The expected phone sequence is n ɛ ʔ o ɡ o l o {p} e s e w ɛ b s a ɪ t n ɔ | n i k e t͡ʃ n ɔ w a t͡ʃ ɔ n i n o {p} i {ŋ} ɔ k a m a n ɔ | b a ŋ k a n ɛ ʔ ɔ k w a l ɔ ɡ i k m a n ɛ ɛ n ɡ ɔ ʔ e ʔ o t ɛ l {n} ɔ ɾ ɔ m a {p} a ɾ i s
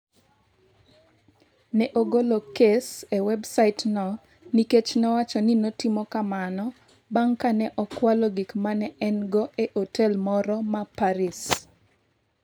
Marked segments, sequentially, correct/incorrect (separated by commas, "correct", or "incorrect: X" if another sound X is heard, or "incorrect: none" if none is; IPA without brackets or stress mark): incorrect: k, incorrect: t, incorrect: m, incorrect: m, correct